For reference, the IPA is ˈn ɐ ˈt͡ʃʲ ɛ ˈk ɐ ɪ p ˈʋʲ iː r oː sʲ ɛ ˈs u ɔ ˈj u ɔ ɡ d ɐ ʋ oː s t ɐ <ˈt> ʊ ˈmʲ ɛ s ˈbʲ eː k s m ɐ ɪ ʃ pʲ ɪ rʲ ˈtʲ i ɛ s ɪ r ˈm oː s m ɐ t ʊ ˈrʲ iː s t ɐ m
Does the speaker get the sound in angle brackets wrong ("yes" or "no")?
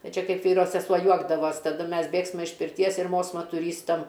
yes